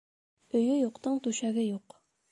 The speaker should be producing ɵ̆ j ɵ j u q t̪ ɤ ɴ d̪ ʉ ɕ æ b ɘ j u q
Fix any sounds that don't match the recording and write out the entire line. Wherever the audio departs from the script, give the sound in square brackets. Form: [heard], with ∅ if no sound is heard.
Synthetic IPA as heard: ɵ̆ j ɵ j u q t̪ ɤ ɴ [t̪] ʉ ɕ æ [ɡ] ɘ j u q